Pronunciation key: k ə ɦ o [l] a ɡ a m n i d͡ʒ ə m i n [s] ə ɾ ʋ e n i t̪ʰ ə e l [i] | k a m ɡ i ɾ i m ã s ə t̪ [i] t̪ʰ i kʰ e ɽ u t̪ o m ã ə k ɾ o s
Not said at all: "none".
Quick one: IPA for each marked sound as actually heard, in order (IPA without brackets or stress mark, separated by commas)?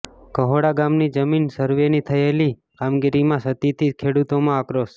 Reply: ɽ, s, i, i